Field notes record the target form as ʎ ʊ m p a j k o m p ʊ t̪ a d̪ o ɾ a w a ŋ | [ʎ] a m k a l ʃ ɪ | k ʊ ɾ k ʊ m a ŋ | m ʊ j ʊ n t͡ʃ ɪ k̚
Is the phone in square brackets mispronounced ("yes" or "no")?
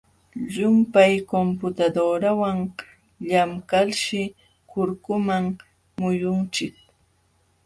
no